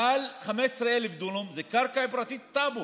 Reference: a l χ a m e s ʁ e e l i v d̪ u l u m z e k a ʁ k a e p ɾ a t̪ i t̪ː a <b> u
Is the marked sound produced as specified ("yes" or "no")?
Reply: yes